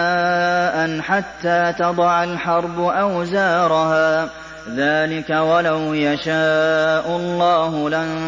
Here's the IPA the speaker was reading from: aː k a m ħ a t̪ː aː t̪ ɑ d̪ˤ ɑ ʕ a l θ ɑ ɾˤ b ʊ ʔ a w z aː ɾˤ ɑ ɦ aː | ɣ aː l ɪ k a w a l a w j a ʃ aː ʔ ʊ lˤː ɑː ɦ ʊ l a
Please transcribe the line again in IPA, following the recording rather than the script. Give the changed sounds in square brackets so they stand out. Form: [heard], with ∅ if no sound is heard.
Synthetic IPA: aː [ʔ] a [n] ħ a t̪ː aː t̪ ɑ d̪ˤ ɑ ʕ a l [ħ] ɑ ɾˤ b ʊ ʔ a w z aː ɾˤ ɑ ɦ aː | [ð] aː l ɪ k a w a l a w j a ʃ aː ʔ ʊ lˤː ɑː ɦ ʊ l a